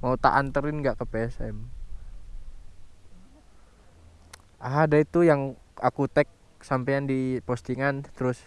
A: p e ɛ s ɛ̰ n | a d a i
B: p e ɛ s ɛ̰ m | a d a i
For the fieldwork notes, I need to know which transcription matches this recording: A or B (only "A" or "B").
B